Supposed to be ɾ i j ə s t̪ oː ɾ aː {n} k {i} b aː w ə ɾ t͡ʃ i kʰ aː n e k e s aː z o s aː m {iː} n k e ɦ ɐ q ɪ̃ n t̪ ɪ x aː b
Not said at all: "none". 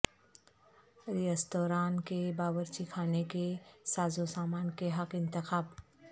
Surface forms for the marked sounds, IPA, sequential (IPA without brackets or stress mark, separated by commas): n, e, aː